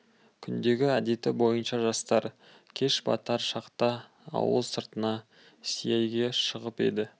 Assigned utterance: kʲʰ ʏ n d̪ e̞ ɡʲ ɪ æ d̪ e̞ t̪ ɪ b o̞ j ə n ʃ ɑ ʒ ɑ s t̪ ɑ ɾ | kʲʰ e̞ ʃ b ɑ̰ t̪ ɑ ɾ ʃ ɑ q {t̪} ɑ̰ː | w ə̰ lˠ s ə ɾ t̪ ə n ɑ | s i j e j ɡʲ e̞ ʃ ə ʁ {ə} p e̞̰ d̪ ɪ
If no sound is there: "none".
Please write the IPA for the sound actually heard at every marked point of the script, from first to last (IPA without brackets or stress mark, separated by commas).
t̪, ə